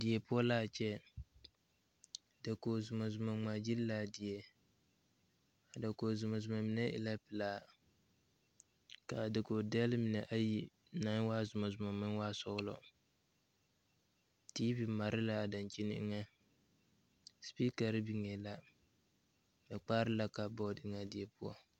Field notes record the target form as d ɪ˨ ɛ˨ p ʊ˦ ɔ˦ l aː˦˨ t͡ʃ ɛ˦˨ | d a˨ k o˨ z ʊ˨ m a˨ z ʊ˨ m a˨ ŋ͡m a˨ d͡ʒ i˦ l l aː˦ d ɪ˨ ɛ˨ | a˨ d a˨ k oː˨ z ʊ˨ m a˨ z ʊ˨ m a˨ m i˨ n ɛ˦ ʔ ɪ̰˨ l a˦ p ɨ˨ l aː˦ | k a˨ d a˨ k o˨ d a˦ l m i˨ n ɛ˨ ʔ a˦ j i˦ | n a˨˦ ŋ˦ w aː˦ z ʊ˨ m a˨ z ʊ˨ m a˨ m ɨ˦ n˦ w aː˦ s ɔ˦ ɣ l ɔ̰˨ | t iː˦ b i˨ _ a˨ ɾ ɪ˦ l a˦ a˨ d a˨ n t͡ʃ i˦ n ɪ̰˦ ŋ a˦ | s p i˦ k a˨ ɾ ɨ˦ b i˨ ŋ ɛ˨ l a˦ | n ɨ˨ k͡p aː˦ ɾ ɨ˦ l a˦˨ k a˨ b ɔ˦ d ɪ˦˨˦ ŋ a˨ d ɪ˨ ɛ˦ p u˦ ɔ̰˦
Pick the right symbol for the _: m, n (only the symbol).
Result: m